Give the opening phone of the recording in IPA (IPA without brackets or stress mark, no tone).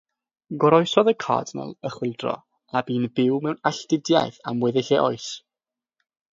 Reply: ɡ